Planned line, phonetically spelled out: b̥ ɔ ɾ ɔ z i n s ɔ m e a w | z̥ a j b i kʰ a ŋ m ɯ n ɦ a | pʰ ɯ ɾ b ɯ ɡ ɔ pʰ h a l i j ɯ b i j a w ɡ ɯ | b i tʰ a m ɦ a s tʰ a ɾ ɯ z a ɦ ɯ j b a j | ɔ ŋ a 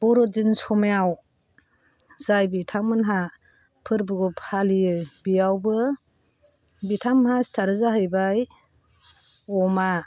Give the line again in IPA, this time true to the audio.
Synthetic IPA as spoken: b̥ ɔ ɾ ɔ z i n s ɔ m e a w | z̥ a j b i tʰ a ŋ m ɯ n ɦ a | pʰ ɯ ɾ b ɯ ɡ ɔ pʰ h a l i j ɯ b i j a w b ɯ | b i tʰ a m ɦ a s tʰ a ɾ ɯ z a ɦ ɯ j b a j | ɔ m a